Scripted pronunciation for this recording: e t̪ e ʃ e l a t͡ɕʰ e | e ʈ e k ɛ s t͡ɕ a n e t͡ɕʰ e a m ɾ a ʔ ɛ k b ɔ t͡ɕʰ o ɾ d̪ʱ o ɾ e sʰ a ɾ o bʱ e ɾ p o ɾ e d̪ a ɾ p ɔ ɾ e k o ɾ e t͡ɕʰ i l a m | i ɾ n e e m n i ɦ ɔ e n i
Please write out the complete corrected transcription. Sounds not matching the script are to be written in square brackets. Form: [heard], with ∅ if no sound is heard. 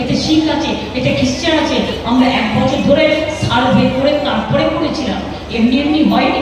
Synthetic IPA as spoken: e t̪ e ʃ [i] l a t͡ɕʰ e | e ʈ e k [i] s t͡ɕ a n [a] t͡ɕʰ e a m ɾ a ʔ ɛ k b ɔ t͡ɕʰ o ɾ d̪ʱ o ɾ e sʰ a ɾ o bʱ e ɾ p o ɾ e [t̪] a ɾ p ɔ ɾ e k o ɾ e t͡ɕʰ i l a m | [e] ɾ n [i] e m n i ɦ ɔ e n i

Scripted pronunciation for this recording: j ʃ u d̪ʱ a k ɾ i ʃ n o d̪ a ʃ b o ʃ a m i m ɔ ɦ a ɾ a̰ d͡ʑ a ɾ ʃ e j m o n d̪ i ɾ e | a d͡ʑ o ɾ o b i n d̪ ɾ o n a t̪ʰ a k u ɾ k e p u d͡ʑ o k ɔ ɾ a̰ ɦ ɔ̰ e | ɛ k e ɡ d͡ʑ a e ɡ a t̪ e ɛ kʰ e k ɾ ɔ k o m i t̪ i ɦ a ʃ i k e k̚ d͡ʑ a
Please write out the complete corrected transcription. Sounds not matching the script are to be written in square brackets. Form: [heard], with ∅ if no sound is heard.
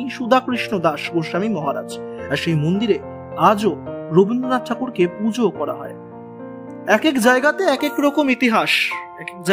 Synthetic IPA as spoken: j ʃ u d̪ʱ a k ɾ i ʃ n o d̪ a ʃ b o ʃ a m i m ɔ ɦ a ɾ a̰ d͡ʑ a ɾ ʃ e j m o n d̪ i ɾ e | a d͡ʑ o ɾ o b i n d̪ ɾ o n a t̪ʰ a k u ɾ k e p u d͡ʑ o k ɔ ɾ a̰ ɦ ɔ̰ e | ɛ k e [k] d͡ʑ a e ɡ a t̪ e ɛ [k] e k ɾ ɔ k o m i t̪ i ɦ a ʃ [ɛ] k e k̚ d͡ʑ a

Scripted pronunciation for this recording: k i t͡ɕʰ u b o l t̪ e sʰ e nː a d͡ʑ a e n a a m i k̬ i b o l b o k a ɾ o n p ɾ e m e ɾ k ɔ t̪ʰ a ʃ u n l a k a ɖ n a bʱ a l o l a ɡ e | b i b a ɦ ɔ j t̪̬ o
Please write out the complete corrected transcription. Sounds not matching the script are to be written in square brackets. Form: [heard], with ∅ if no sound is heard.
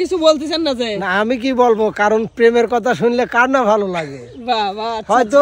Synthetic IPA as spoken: k i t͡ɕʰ u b o l t̪ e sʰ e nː a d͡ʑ a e n a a m i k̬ i b o l b o k a ɾ o n p ɾ e m e ɾ k ɔ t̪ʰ a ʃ u n l [e] k a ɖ n a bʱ a l o l a ɡ e | b [a] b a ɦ ɔ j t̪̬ o

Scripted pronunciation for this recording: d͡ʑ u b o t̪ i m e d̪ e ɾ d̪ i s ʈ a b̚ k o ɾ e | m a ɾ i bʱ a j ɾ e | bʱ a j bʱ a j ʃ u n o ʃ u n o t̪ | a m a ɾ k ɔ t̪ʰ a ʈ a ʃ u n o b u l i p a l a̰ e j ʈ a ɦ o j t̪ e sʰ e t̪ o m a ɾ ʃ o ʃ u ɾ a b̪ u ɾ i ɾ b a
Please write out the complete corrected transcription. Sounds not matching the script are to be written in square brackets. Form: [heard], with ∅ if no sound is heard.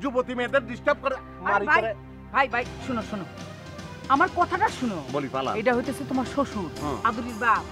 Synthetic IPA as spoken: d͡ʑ u b o t̪ i m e d̪ e ɾ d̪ i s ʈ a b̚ k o ɾ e | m a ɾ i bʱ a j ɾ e | bʱ a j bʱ a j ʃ u n o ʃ u n o [∅] | a m a ɾ k ɔ t̪ʰ a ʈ a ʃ u n o b [o] l i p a l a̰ e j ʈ a ɦ o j t̪ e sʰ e t̪ o m a ɾ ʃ o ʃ u ɾ a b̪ u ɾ i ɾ b a

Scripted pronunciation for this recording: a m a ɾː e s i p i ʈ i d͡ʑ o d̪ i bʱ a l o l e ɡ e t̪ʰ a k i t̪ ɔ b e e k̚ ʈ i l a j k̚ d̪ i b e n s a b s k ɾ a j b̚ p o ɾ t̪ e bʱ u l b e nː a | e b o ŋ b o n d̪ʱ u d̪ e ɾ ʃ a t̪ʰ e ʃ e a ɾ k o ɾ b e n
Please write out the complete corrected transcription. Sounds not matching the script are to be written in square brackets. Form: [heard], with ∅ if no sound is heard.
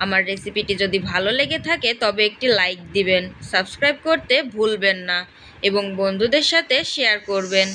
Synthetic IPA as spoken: a m a ɾː e s i p i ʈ i d͡ʑ o d̪ i bʱ a l o l e ɡ e t̪ʰ a k [e] t̪ ɔ b e e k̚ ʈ i l a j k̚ d̪ i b e n s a b s k ɾ a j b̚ [k] o ɾ t̪ e bʱ u l b e nː a | e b o ŋ b o n d̪ʱ u d̪ e ɾ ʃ a t̪ʰ e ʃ e a ɾ k o ɾ b e n

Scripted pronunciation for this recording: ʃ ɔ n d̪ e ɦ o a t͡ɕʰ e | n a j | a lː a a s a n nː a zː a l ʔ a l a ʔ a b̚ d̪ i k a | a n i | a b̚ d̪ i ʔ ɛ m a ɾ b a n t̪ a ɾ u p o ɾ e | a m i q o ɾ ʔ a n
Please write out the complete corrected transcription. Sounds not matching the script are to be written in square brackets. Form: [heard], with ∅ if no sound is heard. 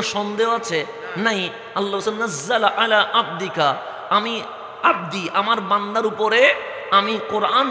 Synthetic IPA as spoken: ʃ ɔ n d̪ e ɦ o a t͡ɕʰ e | n a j | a lː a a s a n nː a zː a l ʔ a l a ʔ a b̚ d̪ i k a | a [m] i | a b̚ d̪ i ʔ [a] m a ɾ b a n [d̪] a ɾ u p o ɾ e | a m i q o ɾ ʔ a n

